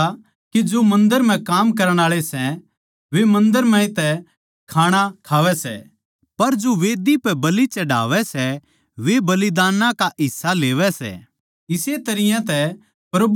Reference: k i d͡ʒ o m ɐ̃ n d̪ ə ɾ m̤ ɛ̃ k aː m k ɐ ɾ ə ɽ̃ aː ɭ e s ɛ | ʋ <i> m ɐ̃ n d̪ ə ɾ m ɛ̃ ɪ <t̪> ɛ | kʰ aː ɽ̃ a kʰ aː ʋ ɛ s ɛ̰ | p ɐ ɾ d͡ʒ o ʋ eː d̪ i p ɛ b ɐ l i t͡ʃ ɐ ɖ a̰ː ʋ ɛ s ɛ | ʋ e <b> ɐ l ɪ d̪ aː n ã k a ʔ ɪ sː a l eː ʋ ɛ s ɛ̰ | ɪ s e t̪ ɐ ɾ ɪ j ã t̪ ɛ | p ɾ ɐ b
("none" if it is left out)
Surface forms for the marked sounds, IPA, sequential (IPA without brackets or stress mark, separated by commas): e, t̪, b